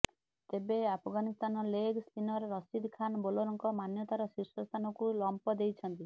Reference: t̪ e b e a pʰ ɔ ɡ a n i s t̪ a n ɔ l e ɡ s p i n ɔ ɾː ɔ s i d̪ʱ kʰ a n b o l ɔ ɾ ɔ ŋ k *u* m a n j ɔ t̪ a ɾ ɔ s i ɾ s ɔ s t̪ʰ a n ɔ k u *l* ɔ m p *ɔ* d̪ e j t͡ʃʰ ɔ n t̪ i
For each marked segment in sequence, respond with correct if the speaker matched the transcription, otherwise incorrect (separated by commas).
incorrect, correct, correct